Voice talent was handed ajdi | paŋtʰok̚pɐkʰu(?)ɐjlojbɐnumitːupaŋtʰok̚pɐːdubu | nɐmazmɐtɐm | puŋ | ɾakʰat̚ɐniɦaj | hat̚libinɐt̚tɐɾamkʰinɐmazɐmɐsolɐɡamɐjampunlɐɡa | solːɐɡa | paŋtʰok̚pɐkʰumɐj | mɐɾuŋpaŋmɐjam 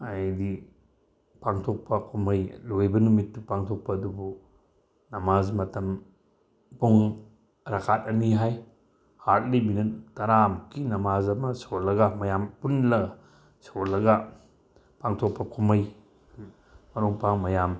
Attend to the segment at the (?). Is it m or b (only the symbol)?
m